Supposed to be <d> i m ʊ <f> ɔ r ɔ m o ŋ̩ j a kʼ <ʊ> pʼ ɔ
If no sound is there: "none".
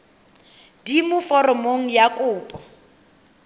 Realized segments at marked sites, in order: d, f, ʊː

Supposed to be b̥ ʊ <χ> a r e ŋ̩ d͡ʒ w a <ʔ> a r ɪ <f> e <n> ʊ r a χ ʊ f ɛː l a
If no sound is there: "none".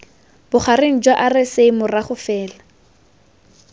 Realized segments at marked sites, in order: χ, ʔ, s, m

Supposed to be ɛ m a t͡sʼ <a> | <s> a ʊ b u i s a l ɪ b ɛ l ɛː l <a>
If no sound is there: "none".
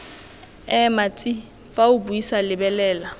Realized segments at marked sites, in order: i, f, a

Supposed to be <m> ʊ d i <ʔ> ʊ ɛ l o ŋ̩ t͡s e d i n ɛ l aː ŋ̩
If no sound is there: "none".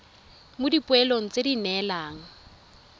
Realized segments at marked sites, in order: m, p

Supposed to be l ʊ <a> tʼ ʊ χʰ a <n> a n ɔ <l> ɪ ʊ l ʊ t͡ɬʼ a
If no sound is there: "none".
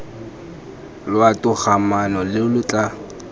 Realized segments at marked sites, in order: a, m, l

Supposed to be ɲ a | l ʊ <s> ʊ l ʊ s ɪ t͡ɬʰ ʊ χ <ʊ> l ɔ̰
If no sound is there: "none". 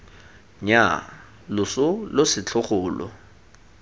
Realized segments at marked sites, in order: s, ʊː

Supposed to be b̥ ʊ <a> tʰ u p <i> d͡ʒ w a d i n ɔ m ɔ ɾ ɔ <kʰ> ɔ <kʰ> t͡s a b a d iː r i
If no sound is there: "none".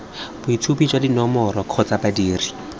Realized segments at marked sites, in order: i, i, kʰ, none

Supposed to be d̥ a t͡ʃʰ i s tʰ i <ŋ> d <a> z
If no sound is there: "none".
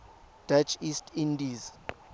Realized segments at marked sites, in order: n, i

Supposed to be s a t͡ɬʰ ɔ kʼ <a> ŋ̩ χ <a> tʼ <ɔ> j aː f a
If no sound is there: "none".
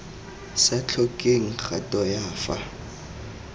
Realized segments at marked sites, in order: e, a, ɔ

